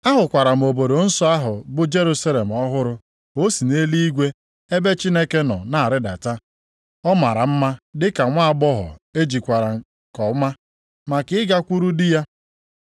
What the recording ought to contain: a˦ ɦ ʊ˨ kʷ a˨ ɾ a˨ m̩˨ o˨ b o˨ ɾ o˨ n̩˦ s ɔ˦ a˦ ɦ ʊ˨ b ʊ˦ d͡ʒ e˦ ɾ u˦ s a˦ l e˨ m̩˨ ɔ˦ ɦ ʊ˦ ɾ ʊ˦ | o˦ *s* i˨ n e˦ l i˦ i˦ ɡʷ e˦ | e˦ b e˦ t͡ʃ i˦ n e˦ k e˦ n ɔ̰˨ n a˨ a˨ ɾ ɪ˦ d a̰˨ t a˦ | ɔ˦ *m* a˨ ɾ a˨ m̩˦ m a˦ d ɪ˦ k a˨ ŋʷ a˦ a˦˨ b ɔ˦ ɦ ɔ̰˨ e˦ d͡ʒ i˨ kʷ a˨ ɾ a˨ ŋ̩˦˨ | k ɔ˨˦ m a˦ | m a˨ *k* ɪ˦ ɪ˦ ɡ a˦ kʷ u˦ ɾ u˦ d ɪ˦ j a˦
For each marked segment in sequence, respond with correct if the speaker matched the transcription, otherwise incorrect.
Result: correct, correct, correct

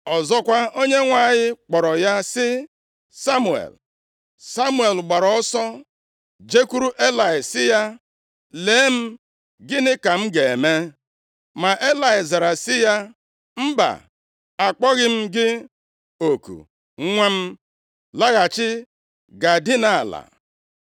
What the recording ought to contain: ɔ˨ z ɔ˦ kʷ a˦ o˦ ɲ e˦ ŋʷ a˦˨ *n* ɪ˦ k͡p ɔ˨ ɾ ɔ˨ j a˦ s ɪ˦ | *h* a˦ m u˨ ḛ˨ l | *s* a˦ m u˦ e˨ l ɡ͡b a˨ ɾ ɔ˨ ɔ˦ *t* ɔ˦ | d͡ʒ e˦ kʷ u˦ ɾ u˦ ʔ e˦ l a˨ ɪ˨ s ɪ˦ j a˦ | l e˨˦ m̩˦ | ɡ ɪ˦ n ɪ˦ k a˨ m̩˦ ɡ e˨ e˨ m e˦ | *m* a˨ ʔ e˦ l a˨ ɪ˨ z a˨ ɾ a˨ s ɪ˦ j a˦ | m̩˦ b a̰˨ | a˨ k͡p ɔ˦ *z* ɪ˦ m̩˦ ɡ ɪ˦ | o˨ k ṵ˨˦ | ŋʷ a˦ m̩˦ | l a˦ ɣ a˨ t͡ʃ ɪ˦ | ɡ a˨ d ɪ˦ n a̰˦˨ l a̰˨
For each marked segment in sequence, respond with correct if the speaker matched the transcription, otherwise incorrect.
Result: incorrect, incorrect, correct, incorrect, correct, incorrect

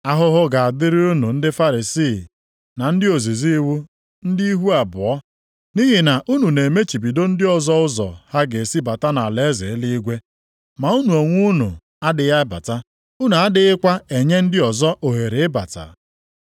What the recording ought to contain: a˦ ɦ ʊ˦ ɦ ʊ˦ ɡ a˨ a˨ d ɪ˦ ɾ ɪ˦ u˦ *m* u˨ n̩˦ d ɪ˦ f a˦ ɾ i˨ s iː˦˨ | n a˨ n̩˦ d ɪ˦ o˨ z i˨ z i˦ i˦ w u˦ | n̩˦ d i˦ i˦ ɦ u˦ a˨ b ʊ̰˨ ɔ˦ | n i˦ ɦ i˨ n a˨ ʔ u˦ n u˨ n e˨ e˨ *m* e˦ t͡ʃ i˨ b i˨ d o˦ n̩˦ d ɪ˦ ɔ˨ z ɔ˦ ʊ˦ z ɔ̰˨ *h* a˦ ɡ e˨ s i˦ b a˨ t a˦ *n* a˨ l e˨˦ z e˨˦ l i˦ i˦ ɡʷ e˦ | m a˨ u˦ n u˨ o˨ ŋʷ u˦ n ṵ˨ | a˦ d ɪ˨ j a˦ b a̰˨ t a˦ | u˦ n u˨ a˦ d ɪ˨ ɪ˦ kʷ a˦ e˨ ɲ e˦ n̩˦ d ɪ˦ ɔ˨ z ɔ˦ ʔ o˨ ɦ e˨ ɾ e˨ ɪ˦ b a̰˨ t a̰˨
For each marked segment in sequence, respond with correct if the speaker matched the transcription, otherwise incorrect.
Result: incorrect, correct, correct, correct

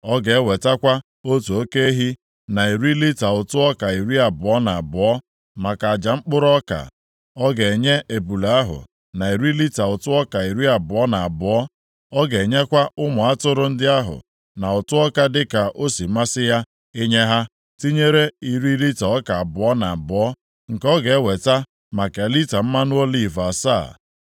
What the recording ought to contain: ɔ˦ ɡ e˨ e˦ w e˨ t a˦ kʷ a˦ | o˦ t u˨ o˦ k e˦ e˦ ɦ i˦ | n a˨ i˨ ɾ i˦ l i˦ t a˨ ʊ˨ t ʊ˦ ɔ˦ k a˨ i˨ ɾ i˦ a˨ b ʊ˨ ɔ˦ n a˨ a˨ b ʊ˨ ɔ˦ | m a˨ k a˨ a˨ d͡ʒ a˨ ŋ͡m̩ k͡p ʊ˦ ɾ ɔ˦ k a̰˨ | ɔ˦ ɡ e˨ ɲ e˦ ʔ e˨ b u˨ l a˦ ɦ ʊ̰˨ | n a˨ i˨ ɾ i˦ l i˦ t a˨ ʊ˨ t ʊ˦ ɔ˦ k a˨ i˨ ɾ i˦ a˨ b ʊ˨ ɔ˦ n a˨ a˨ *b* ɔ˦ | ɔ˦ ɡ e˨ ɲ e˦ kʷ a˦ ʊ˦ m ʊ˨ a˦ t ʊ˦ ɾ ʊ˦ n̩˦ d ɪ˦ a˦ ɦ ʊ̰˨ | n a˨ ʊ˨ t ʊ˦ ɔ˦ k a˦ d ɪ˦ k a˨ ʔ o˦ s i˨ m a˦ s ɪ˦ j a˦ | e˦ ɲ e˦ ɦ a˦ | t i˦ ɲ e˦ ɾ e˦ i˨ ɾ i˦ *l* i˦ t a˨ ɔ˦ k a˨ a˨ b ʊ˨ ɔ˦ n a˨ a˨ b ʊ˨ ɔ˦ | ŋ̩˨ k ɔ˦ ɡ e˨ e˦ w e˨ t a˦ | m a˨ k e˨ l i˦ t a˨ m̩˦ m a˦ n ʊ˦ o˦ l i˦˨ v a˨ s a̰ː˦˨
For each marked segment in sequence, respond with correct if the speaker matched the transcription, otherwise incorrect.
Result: correct, correct

